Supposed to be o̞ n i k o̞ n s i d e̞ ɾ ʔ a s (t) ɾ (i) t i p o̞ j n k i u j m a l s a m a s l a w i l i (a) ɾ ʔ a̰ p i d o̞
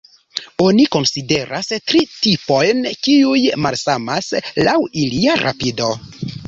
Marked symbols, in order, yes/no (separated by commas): yes, yes, yes